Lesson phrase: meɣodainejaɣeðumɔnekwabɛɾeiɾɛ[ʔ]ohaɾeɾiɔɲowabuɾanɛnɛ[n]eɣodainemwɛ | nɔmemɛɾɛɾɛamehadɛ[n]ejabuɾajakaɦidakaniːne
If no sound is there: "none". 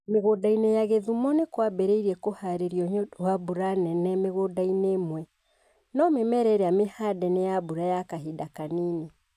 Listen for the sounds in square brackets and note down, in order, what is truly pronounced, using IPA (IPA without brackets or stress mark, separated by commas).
k, m, n